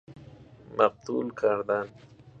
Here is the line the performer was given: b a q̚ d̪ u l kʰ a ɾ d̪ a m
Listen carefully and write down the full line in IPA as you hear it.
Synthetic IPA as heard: m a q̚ t̪ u l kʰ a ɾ d̪ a n